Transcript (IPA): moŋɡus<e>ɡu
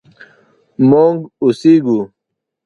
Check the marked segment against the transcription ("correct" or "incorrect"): incorrect